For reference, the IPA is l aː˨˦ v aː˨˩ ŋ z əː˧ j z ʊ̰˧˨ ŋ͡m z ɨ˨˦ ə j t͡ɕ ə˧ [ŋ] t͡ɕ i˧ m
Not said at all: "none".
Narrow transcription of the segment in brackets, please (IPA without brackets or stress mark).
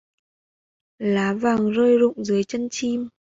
n